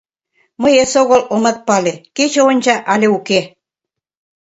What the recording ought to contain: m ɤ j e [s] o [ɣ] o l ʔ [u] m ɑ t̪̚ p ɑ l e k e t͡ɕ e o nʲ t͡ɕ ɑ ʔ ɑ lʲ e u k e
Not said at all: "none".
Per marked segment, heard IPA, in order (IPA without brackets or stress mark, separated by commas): s, ɣ, o